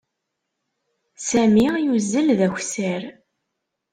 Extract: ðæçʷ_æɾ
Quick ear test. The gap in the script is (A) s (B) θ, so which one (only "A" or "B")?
A